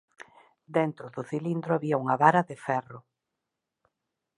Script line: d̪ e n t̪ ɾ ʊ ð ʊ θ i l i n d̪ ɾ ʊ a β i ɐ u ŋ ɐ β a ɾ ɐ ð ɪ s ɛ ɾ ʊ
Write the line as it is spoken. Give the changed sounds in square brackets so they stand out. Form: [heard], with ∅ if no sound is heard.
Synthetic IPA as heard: d̪ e n t̪ ɾ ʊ ð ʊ θ i l i n d̪ ɾ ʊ a β i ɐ u ŋ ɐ β a ɾ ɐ ð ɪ [f] ɛ [r] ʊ